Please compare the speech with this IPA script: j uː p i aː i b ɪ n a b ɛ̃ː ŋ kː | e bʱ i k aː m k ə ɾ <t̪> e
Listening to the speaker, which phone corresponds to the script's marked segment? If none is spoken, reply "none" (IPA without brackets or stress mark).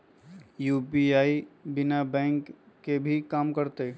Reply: t̪